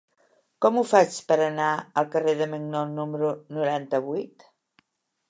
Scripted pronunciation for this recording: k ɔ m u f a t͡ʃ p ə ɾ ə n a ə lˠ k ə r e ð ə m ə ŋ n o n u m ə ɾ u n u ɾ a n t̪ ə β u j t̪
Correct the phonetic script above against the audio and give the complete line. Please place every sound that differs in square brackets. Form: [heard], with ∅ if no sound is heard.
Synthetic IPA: k ɔ m u f a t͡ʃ p ə ɾ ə n a ə lˠ k ə r e ð ə m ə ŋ n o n u m ə ɾ u n u ɾ a n t̪ ə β u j t̪